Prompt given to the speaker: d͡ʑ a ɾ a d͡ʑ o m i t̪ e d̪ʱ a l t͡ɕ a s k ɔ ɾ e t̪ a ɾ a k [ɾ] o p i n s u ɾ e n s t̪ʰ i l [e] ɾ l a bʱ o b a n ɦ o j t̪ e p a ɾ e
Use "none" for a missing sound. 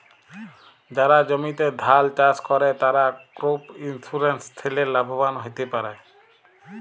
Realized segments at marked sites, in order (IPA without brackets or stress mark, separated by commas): ɾ, e